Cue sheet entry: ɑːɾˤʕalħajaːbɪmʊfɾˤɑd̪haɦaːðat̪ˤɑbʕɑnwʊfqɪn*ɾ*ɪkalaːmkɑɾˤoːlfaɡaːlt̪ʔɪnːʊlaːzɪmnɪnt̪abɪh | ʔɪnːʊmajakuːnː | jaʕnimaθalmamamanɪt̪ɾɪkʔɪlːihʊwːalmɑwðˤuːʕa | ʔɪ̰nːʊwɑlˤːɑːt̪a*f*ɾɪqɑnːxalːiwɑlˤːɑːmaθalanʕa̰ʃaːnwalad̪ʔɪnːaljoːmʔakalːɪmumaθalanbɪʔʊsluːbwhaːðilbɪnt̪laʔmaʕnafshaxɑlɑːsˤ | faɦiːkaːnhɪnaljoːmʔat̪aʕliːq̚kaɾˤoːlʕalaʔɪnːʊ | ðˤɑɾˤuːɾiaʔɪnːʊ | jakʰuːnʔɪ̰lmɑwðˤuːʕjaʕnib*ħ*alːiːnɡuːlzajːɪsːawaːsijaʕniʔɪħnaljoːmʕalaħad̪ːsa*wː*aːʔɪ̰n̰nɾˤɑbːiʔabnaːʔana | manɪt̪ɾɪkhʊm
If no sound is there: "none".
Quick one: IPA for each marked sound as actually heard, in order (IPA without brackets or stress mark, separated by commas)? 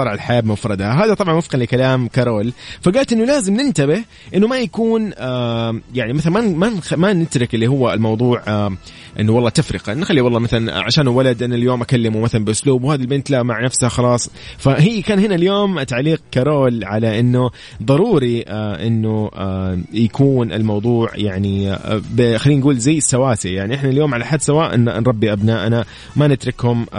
l, f, x, w